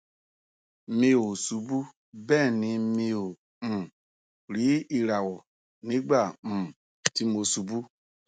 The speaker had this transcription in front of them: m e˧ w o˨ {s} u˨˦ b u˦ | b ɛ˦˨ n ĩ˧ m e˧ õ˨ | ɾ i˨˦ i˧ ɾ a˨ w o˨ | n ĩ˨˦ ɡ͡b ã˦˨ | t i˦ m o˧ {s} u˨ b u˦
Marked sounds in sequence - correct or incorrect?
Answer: correct, correct

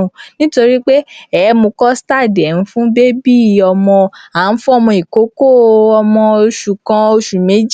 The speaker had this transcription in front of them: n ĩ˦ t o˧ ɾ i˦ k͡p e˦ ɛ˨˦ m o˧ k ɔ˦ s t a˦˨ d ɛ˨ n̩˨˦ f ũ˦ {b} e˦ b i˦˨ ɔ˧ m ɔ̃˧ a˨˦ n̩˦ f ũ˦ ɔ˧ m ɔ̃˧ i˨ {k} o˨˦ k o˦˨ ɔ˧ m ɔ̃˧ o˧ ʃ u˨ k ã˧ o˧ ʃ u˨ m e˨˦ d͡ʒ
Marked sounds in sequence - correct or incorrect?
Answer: correct, correct

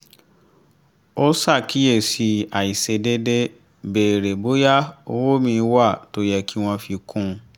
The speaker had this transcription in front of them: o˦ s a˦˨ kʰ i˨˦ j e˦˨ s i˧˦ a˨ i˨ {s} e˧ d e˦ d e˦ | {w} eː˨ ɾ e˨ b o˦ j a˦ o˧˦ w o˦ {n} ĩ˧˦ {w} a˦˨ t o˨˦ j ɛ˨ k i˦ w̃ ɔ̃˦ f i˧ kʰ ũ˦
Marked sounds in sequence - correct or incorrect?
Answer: correct, incorrect: b, incorrect: m, correct

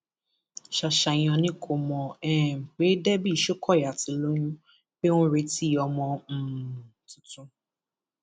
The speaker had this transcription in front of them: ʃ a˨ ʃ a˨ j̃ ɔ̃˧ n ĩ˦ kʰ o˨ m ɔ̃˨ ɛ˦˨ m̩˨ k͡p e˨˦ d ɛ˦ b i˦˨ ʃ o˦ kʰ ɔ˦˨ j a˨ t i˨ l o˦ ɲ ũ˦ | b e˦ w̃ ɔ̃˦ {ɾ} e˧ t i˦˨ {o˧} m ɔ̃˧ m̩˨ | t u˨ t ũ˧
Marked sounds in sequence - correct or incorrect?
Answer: correct, incorrect: ɔ˧

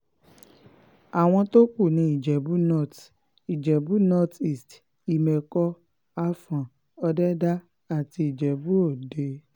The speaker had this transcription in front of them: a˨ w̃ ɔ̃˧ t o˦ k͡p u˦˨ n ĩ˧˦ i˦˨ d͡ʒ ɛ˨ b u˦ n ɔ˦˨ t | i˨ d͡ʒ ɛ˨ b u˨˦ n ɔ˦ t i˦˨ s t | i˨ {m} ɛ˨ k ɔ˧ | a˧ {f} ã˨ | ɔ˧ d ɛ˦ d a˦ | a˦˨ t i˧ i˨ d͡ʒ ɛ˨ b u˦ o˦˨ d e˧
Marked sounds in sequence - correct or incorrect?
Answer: correct, correct

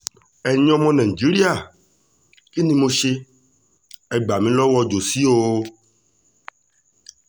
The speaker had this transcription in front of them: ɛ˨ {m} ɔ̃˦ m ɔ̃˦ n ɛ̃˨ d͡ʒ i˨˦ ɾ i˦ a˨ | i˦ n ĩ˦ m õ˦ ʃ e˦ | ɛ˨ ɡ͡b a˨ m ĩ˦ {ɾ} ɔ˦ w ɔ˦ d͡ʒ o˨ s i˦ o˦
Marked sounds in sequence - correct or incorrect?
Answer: incorrect: ɲ, incorrect: l

